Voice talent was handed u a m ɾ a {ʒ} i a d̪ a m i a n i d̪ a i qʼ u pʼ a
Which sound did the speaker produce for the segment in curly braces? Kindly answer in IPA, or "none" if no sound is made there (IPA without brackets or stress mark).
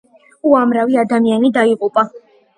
v